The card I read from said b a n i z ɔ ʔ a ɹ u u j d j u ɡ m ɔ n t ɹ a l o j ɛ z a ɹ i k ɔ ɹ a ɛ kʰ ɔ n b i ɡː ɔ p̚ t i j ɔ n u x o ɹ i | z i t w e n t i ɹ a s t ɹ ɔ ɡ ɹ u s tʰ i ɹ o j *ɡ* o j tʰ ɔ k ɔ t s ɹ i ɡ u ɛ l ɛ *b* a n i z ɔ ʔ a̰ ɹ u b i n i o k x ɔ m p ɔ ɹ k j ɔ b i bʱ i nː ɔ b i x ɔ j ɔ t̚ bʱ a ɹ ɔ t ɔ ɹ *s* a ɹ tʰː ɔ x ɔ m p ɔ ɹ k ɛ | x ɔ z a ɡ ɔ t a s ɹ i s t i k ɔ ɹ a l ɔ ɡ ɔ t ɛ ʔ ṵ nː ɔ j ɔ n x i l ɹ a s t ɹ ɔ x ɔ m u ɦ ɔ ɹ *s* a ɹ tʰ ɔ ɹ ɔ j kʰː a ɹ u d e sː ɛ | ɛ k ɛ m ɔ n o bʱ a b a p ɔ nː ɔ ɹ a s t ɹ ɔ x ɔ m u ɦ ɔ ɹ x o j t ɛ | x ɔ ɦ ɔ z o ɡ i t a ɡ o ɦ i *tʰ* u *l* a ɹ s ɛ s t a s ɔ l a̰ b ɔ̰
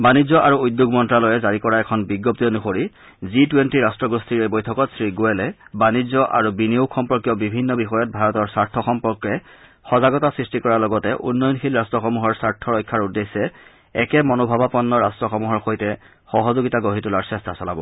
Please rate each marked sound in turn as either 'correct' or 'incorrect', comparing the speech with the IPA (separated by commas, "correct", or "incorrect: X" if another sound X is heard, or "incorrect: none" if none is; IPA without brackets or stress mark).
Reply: incorrect: b, correct, correct, correct, incorrect: t, correct